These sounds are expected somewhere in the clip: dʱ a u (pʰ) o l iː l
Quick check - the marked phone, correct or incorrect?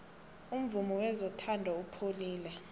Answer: correct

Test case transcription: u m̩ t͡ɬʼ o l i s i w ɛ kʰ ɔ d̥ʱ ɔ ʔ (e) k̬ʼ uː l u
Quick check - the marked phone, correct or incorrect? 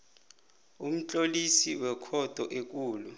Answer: correct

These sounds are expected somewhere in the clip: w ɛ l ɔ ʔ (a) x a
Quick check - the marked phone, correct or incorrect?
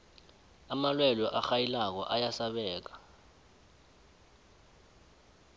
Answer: correct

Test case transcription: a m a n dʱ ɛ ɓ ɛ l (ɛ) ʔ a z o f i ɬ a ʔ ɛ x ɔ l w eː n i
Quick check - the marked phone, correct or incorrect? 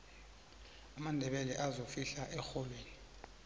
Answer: correct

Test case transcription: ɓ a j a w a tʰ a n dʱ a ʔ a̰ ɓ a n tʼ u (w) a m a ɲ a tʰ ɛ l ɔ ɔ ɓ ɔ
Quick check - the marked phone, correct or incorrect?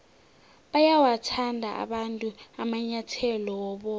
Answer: incorrect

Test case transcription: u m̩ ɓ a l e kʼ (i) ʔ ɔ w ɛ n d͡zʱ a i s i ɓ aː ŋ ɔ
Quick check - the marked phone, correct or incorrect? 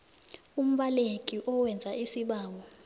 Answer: correct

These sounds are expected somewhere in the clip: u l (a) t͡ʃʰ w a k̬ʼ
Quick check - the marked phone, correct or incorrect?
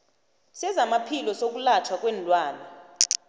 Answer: correct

